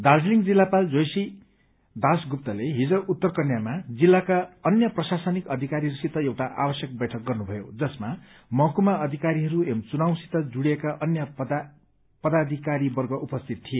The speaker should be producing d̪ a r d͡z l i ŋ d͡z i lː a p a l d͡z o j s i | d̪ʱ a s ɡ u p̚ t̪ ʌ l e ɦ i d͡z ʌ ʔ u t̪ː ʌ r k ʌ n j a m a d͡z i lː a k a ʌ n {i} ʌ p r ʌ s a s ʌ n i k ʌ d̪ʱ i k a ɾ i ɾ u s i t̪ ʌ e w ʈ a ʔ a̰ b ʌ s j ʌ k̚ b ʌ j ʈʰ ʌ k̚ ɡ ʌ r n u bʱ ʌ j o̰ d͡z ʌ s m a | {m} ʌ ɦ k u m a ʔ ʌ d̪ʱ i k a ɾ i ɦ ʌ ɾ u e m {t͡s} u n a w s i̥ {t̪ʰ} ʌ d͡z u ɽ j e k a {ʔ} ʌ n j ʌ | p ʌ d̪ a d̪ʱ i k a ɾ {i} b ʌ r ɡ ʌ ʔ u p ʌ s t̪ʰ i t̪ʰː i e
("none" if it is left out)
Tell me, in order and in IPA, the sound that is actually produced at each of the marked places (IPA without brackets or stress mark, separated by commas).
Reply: j, m, t͡s, t̪, ʔ, i